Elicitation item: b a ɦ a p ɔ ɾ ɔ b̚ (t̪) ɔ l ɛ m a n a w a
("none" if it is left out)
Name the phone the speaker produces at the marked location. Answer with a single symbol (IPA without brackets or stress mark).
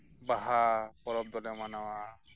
d̪